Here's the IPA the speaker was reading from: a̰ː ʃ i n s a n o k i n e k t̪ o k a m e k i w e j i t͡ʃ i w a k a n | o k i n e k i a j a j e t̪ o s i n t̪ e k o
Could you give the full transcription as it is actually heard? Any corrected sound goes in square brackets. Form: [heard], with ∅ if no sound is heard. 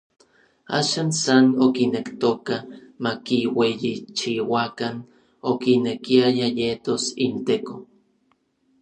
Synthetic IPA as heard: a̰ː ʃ [a] n s a n o k i n e k t̪ o k a m [a] k i w e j i t͡ʃ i w a k a n | o k i n e k i a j a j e t̪ o s i n t̪ e k o